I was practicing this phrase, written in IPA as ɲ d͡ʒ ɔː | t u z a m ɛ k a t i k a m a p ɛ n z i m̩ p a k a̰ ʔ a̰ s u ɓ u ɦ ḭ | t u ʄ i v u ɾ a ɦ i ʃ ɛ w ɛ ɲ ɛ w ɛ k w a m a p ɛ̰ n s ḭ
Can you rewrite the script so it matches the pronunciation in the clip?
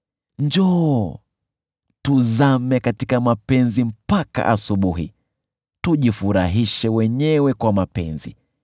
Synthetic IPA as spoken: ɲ d͡ʒ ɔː | t u z a m ɛ k a t i k a m a p ɛ n z i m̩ p a k a̰ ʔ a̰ s u ɓ u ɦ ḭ | t u ʄ i f u ɾ a ɦ i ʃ ɛ w ɛ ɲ ɛ w ɛ k w a m a p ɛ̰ n z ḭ